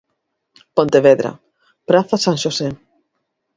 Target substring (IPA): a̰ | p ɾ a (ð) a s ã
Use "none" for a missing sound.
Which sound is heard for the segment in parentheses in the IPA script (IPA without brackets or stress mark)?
θ